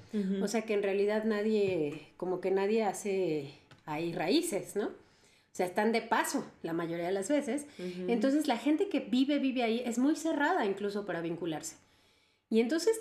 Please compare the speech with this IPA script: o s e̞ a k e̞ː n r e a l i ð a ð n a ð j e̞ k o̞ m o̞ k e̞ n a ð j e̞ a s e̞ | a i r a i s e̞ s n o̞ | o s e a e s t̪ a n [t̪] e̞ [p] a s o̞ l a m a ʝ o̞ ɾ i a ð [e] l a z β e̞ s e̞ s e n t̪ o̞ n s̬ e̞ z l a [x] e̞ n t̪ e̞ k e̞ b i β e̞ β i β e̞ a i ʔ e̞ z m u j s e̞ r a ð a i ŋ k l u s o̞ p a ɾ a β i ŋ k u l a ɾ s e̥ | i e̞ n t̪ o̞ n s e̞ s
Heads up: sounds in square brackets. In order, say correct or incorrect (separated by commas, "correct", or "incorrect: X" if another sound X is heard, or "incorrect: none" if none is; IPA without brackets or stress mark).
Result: incorrect: d̪, correct, correct, correct